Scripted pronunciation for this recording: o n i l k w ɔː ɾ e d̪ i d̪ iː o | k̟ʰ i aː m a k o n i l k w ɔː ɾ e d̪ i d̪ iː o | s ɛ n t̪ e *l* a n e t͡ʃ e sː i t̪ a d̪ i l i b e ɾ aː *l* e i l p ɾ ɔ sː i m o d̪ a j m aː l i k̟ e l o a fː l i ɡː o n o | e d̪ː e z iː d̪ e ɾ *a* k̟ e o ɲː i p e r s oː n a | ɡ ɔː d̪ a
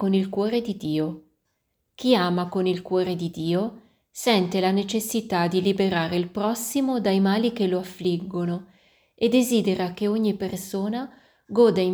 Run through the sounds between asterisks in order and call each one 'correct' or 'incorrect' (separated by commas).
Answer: correct, incorrect, correct